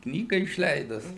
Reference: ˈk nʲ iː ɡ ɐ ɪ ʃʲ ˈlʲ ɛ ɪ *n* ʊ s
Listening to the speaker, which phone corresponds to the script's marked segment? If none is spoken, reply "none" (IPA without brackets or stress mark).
d